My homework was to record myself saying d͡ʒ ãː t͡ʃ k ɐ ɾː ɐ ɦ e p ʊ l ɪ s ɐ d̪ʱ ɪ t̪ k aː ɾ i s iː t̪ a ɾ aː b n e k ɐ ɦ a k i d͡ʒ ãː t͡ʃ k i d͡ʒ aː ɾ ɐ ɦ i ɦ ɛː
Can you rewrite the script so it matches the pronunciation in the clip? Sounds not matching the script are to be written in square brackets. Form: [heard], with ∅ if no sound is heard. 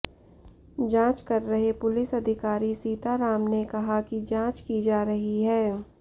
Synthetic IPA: d͡ʒ ãː t͡ʃ k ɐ ɾː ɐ ɦ e p ʊ l ɪ s ɐ d̪ʱ ɪ [∅] k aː ɾ i s iː t̪ a ɾ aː [m] n e k ɐ ɦ a k i d͡ʒ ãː t͡ʃ k i d͡ʒ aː ɾ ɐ ɦ i ɦ ɛː